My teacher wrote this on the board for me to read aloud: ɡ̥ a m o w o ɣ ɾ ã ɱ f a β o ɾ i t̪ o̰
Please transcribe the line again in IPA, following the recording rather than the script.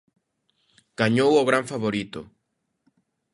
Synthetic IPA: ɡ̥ a ɲ o w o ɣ ɾ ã ɱ f a β o ɾ i t̪ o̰